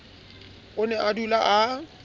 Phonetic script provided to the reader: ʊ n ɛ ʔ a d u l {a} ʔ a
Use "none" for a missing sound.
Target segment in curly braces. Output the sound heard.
a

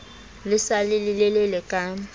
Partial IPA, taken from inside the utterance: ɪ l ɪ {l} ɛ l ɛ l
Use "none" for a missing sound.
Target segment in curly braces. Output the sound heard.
l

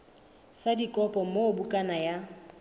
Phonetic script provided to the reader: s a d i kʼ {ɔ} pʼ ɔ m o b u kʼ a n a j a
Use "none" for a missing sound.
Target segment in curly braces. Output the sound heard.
ɔ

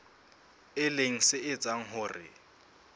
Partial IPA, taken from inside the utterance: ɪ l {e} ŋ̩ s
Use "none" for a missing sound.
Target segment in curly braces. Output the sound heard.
e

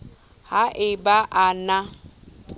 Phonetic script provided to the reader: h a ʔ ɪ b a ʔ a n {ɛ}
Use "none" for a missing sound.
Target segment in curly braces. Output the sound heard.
a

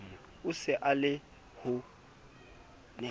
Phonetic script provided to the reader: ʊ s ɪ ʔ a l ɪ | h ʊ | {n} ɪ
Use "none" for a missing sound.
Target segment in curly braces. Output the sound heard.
n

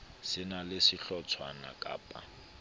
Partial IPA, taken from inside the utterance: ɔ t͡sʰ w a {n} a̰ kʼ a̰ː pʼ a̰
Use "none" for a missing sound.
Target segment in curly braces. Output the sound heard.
n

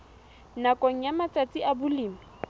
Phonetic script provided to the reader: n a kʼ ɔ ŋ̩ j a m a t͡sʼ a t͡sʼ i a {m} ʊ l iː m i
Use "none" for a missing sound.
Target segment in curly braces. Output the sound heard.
b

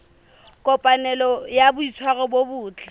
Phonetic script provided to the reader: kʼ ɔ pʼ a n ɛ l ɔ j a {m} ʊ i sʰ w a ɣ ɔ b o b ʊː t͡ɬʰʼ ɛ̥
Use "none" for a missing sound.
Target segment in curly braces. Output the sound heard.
b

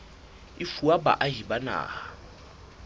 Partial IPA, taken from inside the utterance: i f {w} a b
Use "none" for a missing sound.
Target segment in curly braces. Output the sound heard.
u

